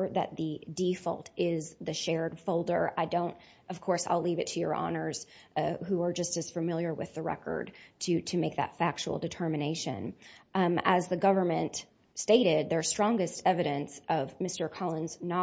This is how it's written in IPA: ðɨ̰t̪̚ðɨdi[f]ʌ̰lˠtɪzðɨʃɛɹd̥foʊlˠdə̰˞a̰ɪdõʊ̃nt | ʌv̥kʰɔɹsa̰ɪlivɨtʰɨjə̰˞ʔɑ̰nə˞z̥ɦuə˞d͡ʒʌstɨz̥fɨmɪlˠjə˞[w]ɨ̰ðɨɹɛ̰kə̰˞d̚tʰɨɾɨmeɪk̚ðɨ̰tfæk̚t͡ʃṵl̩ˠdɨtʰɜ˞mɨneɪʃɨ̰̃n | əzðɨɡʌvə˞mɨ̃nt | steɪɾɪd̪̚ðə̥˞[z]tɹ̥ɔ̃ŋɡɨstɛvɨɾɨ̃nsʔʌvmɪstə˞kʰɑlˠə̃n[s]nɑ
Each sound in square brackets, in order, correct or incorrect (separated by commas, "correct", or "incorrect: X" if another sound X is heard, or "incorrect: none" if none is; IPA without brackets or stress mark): correct, correct, incorrect: s, incorrect: z